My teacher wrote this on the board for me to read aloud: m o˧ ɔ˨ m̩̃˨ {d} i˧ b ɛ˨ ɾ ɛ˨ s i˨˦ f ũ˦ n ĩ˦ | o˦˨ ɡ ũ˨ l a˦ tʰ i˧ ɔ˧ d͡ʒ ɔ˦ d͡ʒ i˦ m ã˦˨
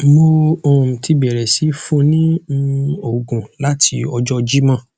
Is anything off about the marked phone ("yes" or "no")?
yes